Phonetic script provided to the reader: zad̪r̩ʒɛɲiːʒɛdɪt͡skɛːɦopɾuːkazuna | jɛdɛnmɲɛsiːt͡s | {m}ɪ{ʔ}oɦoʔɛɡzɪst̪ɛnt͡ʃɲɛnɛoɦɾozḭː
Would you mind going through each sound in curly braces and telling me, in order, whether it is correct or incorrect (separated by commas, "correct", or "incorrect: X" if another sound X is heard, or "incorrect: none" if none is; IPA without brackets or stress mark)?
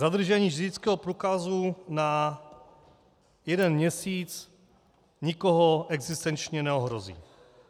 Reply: incorrect: ɲ, incorrect: k